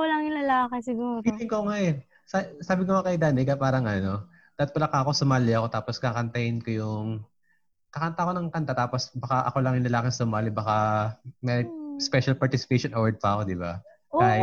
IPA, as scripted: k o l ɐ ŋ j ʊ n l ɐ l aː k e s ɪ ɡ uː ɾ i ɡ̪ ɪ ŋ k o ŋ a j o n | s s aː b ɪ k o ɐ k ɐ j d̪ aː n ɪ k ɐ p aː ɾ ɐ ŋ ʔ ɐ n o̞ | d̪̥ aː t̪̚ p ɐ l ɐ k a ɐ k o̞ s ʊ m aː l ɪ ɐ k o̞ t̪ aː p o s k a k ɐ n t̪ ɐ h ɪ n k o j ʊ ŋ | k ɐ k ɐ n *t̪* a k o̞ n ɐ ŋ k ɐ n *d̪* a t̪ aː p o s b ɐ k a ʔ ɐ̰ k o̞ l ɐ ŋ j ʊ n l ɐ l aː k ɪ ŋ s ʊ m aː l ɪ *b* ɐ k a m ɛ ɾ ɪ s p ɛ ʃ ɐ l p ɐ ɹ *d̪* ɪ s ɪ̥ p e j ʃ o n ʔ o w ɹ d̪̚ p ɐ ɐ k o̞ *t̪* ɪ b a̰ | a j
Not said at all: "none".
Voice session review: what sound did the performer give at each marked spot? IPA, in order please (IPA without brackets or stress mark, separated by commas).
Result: t̪, t̪, b, t̪, d̪